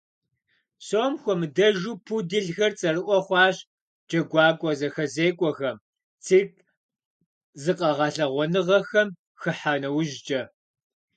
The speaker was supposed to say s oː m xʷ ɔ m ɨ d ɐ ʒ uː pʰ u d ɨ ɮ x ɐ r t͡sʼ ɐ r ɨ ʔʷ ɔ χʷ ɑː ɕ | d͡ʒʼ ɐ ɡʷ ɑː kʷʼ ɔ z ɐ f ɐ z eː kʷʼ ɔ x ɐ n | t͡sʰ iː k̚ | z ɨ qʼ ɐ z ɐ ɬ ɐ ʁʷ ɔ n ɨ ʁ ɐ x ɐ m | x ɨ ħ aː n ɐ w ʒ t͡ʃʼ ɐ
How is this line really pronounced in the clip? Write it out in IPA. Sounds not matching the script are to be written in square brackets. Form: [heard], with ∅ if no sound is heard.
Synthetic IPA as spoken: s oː m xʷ ɔ m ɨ d ɐ ʒ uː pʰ u d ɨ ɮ x ɐ r t͡sʼ ɐ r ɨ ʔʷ ɔ χʷ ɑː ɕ | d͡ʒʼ ɐ ɡʷ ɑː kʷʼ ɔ z ɐ [x] ɐ z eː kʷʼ ɔ x ɐ [m] | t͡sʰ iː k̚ | z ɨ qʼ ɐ [ʁ] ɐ ɬ ɐ ʁʷ ɔ n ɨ ʁ ɐ x ɐ m | x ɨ ħ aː n ɐ w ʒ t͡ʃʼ ɐ